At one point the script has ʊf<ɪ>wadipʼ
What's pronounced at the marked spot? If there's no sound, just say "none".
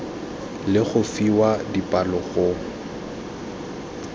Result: i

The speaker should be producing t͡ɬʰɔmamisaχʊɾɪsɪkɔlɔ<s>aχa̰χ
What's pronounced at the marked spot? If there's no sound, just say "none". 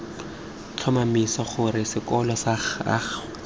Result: s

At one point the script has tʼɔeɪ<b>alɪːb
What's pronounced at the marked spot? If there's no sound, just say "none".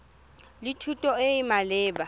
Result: m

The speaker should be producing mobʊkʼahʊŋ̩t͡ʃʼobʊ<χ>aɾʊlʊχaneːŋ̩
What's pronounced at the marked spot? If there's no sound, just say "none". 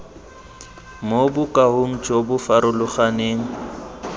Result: f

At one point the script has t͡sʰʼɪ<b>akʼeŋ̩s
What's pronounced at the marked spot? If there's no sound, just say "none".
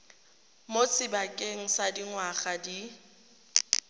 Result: b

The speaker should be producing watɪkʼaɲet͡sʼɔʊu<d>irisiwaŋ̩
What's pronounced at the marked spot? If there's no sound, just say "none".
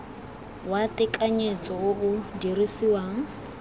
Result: d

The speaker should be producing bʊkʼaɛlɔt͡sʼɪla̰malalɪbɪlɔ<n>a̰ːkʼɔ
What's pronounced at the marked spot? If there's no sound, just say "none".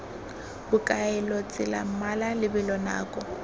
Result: n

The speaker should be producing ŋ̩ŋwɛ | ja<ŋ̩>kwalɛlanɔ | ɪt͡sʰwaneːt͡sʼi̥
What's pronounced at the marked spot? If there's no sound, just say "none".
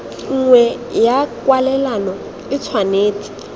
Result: none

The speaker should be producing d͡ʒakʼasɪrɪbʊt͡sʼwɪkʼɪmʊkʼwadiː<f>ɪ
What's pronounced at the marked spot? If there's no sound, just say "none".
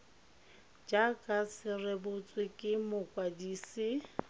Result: s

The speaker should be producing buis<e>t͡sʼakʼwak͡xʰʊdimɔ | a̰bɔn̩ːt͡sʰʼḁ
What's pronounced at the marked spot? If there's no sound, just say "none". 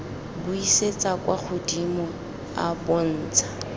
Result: e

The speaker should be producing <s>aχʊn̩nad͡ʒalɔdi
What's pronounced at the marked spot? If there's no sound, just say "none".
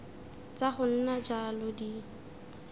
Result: t͡s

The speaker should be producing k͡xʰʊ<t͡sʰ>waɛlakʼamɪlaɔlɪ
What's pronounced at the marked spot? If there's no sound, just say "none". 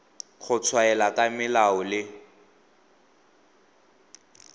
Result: t͡sʰ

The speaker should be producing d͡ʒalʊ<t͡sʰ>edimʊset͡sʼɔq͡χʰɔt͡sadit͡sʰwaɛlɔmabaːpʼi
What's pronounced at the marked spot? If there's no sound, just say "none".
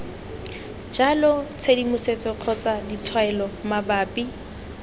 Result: t͡sʰ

